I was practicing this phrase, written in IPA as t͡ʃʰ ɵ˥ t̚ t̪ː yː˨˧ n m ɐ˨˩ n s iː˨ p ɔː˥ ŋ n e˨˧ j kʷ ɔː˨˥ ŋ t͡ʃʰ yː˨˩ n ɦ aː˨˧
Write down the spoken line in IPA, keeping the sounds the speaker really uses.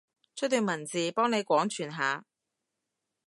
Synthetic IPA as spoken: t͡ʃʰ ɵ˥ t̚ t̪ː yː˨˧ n m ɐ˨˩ n t͡s iː˨ p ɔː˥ ŋ n e˨˧ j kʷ ɔː˨˥ ŋ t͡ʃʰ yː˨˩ n ɦ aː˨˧